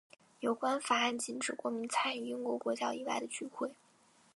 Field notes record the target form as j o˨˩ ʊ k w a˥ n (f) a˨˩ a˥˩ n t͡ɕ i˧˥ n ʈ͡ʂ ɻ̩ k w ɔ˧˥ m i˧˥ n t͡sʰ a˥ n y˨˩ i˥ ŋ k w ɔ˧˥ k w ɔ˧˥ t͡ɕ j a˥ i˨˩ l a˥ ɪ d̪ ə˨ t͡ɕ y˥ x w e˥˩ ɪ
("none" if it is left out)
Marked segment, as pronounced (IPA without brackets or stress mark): f